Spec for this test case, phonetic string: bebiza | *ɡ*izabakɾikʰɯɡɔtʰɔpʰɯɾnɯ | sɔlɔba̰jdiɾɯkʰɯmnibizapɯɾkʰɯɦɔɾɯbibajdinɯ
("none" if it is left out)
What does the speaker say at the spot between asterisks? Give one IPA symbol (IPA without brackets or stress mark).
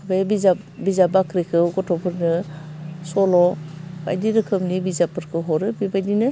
b